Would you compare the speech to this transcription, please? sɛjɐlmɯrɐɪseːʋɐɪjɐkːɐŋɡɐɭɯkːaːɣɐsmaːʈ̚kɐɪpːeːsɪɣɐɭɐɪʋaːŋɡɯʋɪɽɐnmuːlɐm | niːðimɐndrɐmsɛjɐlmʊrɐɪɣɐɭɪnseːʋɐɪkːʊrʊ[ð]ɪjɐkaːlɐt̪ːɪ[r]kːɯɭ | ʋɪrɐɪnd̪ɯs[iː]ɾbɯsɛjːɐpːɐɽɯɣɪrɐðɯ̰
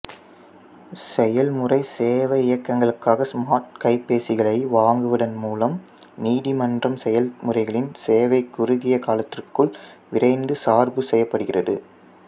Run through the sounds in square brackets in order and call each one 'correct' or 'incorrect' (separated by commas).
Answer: incorrect, correct, incorrect